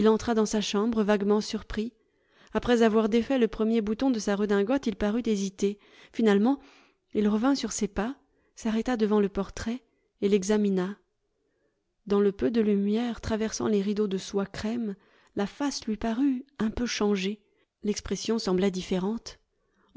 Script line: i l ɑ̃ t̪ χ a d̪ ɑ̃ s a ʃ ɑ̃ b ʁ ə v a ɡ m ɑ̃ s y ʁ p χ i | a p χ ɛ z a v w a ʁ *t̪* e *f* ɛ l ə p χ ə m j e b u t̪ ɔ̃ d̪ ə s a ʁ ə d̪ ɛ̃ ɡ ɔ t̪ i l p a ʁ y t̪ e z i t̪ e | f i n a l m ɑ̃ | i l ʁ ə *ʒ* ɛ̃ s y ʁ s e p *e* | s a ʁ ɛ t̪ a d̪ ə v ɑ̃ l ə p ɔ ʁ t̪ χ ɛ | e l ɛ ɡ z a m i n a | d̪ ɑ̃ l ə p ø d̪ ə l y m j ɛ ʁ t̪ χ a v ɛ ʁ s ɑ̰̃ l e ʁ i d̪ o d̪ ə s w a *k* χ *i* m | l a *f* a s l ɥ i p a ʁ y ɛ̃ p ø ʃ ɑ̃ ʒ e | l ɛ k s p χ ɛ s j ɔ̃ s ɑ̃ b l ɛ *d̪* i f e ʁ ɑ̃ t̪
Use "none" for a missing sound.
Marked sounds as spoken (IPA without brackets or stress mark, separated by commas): d̪, f, v, a, k, ɛ, f, d̪